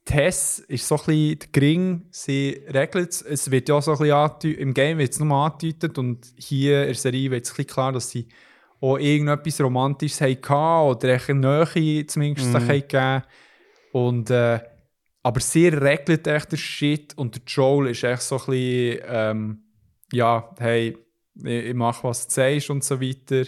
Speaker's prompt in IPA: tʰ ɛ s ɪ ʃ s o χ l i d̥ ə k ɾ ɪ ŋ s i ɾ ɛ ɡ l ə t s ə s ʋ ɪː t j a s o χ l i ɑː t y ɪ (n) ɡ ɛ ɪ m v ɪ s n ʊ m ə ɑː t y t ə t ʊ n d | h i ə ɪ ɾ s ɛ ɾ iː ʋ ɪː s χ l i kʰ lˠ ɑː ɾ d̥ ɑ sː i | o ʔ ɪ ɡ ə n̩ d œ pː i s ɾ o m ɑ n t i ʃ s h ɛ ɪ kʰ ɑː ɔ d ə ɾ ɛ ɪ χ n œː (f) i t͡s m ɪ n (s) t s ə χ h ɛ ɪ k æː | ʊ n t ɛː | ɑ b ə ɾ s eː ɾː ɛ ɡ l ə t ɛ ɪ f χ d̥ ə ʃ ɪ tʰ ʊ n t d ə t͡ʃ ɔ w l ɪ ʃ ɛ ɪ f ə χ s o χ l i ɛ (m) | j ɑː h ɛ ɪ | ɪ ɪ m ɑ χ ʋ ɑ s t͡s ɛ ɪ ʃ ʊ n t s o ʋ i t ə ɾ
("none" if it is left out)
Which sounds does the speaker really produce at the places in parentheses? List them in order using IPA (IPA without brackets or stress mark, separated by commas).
m, χ, ʃ, m